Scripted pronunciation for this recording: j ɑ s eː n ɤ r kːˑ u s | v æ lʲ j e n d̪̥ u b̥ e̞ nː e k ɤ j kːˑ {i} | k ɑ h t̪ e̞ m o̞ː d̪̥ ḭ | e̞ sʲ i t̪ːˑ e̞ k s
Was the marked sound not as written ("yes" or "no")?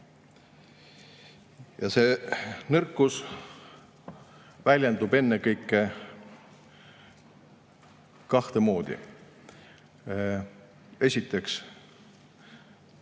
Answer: yes